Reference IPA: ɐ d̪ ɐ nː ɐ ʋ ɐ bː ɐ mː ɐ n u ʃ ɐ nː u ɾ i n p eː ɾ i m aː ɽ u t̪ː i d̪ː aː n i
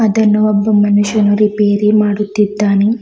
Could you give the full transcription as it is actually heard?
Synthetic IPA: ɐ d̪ ɐ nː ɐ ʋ ɐ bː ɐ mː ɐ n u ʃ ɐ n u ɾ i p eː ɾ i m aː ɽ u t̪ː i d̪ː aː n i